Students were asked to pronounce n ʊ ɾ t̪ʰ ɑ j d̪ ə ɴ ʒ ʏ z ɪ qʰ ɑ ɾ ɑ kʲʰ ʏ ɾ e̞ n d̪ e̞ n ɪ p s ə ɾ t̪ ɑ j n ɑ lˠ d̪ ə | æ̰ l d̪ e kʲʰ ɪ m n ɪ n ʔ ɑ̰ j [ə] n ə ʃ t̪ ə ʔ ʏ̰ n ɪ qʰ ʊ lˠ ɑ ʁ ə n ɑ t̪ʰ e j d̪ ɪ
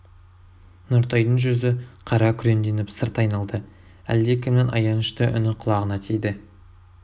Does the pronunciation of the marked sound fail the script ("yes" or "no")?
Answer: yes